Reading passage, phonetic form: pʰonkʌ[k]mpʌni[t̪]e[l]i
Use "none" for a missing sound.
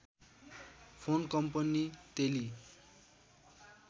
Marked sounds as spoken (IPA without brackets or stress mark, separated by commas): none, t̪, l